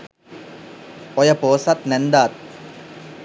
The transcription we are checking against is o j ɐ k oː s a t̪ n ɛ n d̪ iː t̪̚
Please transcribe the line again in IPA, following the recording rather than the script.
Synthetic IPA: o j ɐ p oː s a t̪ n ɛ n d̪ aː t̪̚